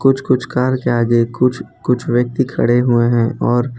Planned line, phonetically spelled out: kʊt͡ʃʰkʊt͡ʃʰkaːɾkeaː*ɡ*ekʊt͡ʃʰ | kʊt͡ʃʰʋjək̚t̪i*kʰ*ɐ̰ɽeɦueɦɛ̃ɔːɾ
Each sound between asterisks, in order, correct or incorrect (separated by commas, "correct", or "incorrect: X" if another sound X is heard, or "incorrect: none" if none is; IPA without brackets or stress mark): correct, correct